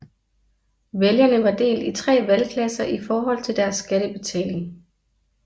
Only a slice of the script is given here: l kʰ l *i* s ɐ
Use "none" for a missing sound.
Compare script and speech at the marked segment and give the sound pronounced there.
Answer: æ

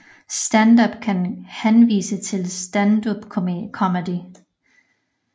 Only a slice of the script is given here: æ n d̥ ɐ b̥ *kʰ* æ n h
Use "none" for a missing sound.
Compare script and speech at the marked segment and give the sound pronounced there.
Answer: kʰ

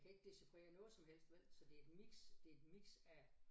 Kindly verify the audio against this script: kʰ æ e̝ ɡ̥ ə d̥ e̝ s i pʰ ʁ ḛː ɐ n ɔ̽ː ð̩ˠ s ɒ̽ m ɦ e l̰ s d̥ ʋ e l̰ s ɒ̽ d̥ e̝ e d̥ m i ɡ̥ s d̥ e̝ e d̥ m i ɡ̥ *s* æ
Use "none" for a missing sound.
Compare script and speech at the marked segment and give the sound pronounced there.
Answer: s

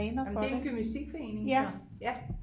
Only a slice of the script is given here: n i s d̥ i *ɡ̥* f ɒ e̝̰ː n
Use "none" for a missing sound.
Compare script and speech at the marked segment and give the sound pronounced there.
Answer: ɡ̥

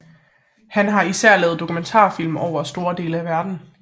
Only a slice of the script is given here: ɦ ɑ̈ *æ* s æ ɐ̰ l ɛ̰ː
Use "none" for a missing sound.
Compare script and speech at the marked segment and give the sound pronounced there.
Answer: i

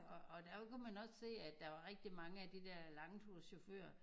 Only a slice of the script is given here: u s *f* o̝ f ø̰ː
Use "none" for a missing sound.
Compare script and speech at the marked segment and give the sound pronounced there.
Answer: ɕ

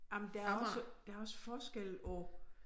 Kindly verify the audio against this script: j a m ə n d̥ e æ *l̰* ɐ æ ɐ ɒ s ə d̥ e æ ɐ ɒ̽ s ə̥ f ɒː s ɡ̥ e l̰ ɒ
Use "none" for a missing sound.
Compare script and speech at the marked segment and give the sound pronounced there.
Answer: none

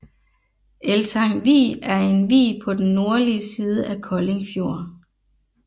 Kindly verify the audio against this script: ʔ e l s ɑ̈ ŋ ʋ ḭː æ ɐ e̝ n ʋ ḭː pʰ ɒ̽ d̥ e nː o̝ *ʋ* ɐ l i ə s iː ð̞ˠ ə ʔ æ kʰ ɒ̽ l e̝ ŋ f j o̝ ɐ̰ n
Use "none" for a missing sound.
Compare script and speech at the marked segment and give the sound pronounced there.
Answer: none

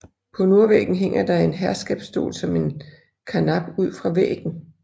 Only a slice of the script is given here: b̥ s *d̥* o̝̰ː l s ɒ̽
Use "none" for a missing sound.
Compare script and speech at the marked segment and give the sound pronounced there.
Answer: d̥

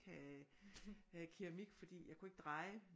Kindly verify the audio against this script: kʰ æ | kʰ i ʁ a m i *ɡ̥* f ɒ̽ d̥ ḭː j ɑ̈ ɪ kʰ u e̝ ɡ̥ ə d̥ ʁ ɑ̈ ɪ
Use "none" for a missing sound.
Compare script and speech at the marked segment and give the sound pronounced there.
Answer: ɡ̥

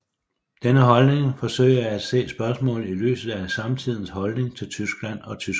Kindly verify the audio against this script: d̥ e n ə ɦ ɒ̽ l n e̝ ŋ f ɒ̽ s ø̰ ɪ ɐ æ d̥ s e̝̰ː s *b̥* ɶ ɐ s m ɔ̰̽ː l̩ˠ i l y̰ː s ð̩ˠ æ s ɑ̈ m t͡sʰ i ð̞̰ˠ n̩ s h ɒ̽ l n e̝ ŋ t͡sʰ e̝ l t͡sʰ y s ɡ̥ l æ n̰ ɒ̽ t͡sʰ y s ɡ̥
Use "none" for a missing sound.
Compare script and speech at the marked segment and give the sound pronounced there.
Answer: b̥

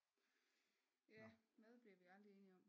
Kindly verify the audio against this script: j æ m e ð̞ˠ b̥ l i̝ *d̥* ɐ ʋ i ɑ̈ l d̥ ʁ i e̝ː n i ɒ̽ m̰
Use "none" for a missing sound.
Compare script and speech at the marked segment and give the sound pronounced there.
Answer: none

